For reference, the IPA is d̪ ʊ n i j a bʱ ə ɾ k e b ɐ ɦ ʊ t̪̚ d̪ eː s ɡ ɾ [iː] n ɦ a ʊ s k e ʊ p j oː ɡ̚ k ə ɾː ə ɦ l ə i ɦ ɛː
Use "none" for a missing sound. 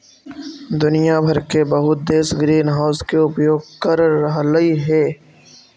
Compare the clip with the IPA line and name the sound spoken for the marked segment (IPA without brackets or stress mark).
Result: iː